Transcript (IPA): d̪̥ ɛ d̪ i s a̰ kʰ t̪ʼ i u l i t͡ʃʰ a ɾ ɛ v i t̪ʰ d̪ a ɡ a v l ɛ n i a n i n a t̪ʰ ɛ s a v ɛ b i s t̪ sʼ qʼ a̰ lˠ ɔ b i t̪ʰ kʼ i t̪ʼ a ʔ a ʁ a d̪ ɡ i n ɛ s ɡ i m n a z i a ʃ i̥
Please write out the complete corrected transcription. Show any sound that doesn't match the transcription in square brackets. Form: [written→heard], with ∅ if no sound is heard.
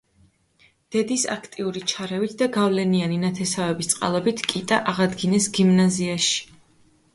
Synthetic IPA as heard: d̪̥ ɛ d̪ i s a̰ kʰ t̪ʼ i u [l→ɾ] i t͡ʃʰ a ɾ ɛ v i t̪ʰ d̪ a ɡ a v l ɛ n i a n i n a t̪ʰ ɛ s a v ɛ b i s t̪ sʼ qʼ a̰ lˠ ɔ b i t̪ʰ kʼ i t̪ʼ a ʔ a ʁ a d̪ ɡ i n ɛ s ɡ i m n a z i a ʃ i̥